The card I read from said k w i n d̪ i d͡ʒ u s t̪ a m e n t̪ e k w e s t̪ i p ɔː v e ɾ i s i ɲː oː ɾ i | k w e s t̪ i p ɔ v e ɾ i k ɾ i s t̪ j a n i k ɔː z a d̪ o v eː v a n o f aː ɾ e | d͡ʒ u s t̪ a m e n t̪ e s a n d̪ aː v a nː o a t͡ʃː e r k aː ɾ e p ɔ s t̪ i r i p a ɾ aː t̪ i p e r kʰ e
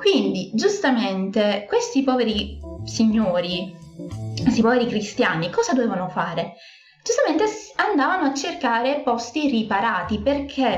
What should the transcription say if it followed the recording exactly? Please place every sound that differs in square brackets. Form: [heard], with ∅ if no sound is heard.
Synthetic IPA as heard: k w i n d̪ i d͡ʒ u s t̪ a m e n t̪ e k w e s t̪ i p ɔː v e ɾ i s i ɲː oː ɾ i | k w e s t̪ i p ɔ v e ɾ i k ɾ i s t̪ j a n i k ɔː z a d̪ o v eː v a n o f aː ɾ e | d͡ʒ u s t̪ a m e n t̪ e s a n d̪ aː v a [n] o a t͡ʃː e r k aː ɾ e p ɔ s t̪ i r i p a ɾ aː t̪ i p e r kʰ e